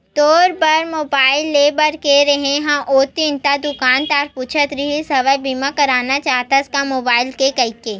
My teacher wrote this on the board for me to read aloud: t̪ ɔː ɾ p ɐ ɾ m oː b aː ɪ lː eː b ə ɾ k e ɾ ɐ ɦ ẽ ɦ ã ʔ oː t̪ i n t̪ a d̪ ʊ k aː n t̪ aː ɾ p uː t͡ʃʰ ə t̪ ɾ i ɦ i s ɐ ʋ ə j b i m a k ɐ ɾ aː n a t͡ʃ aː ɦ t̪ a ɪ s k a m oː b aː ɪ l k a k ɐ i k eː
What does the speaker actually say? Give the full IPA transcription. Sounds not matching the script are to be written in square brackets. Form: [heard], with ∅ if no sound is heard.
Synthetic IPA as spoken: t̪ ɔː ɾ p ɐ ɾ m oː b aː ɪ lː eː b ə ɾ k e ɾ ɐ ɦ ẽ ɦ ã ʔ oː t̪ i n t̪ a d̪ ʊ k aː n t̪ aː ɾ p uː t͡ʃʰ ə t̪ ɾ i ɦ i s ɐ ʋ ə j b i m a k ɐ ɾ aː n a t͡ʃ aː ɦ t̪ a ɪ s k a m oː b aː ɪ l k [e] k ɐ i k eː

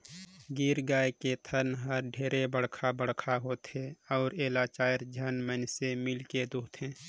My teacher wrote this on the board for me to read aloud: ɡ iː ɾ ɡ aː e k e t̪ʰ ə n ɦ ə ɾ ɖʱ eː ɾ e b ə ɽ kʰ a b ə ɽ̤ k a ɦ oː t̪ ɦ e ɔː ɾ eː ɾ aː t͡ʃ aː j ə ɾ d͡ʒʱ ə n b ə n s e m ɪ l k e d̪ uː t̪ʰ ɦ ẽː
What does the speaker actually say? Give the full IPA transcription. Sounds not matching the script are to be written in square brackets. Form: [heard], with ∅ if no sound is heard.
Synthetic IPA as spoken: ɡ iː ɾ ɡ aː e k e t̪ʰ ə n ɦ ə ɾ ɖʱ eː ɾ e b ə ɽ kʰ a b ə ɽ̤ [kʰ] a ɦ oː t̪ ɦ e ɔː ɾ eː [l] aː t͡ʃ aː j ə ɾ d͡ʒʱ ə n [m] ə n s e m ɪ l k e d̪ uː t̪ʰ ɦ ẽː

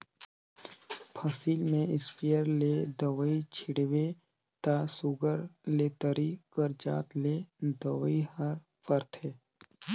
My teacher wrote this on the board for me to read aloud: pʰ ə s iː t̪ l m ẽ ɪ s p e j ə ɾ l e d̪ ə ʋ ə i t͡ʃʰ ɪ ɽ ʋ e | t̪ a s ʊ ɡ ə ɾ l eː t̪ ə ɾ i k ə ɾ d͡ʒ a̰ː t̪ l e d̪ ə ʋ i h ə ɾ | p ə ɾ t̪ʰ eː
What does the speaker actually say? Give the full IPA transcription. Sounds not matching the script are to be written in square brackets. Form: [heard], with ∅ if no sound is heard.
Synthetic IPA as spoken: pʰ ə s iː [∅] l m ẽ ɪ s p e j ə ɾ l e d̪ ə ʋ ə i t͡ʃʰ ɪ ɽ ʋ e | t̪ a s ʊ ɡ ə ɾ l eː t̪ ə ɾ i k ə ɾ d͡ʒ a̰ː t̪ l e d̪ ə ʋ i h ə ɾ | p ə ɾ t̪ʰ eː

